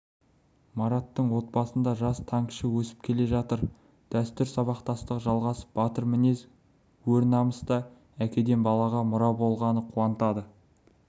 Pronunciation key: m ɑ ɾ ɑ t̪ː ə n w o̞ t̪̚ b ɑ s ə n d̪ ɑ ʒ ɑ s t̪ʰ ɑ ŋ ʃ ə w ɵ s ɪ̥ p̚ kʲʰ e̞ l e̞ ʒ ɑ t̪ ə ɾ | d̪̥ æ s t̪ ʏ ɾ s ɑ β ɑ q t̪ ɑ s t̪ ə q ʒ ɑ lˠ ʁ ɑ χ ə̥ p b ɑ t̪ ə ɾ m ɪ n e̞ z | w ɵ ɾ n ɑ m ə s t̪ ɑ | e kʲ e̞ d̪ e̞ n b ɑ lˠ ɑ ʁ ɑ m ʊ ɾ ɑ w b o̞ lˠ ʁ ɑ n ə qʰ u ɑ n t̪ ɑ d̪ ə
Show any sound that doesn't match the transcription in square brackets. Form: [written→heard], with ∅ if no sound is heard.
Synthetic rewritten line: m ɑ ɾ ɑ t̪ː ə [n→ɴ] w o̞ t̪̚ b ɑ s ə n d̪ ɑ ʒ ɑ s t̪ʰ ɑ ŋ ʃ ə w ɵ s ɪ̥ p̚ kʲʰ e̞ l e̞ ʒ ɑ t̪ ə ɾ | d̪̥ æ s t̪ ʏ ɾ s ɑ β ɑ q t̪ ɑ s t̪ ə q ʒ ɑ lˠ ʁ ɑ [χ→s] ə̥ p b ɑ t̪ ə ɾ m ɪ n e̞ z | w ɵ ɾ n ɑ m ə s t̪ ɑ | [e→æ] kʲ e̞ d̪ e̞ n b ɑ lˠ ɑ ʁ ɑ m ʊ ɾ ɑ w b o̞ lˠ ʁ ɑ n ə qʰ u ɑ n t̪ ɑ d̪ ə